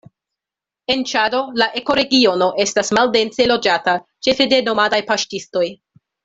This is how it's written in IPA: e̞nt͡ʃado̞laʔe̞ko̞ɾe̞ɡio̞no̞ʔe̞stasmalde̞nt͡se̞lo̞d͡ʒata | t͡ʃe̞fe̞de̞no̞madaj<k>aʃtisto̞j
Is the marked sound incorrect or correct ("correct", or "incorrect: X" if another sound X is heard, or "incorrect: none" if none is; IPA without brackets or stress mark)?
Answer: incorrect: p